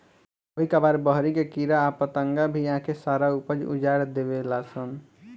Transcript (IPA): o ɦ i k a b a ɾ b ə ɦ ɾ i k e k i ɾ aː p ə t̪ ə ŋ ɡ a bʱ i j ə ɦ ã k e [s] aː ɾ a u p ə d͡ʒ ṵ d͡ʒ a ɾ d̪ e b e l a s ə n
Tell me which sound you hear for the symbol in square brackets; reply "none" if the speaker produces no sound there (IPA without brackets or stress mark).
s